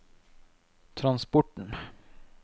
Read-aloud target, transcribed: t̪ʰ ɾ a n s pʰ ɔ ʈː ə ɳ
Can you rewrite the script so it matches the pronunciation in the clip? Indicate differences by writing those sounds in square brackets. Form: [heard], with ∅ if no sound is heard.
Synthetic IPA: t̪ʰ ɾ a n s [p] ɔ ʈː ə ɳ